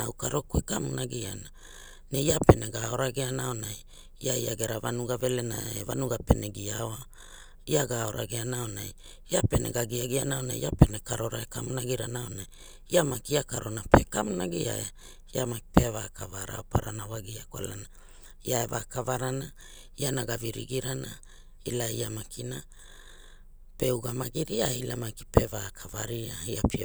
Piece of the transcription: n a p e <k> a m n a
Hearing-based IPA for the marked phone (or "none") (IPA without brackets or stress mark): k